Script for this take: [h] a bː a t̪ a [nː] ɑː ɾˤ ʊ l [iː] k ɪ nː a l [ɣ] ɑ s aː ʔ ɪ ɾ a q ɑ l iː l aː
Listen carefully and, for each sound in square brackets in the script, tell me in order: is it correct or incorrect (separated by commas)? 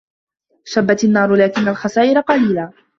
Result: incorrect, correct, incorrect, incorrect